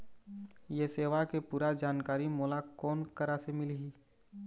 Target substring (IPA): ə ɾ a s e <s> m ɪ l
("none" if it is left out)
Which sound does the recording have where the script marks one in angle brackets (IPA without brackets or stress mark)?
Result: none